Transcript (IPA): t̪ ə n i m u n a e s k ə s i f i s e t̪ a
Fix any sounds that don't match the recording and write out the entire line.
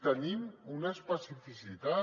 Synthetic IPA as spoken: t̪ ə n i m u n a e s p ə s i f i s i t̪ a